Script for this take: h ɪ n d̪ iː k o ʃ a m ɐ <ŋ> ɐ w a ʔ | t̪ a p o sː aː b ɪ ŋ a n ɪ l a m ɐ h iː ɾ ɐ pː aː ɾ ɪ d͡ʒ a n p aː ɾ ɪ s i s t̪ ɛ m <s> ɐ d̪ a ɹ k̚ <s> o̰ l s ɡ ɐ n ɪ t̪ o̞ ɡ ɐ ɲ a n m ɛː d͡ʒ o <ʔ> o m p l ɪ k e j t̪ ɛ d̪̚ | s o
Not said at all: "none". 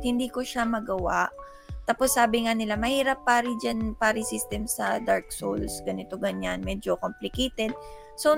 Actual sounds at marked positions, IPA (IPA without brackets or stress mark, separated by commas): ɡ, s, s, k